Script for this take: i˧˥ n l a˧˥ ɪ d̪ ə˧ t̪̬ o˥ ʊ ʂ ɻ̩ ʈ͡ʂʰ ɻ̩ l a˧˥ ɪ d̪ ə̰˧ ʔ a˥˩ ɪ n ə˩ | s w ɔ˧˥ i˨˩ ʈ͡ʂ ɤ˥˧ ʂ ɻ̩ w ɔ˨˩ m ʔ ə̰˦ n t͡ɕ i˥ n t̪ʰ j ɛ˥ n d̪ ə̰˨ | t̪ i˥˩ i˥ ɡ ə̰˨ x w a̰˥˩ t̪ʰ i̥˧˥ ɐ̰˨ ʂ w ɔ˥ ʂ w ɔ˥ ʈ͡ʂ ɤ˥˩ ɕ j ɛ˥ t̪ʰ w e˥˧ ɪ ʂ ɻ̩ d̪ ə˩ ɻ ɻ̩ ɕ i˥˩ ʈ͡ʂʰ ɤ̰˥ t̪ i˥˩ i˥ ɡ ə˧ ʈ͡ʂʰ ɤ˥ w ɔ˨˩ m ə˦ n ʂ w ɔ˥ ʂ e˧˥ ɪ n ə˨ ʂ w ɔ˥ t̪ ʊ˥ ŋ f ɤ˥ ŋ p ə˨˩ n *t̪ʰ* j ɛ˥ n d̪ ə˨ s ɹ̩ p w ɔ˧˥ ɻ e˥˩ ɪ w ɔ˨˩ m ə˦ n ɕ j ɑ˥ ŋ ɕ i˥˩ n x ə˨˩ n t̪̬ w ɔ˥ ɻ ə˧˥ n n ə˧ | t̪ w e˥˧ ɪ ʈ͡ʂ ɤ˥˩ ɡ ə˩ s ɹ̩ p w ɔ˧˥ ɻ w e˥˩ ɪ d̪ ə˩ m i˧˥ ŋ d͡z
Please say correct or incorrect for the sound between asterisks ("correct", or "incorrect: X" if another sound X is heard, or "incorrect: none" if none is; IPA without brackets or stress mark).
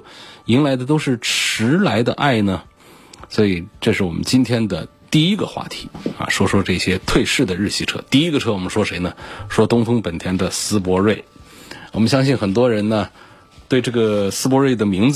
correct